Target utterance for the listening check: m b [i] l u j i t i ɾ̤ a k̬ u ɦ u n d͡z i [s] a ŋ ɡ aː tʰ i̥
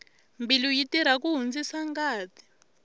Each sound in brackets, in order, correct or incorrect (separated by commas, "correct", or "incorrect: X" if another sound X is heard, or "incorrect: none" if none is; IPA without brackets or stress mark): correct, correct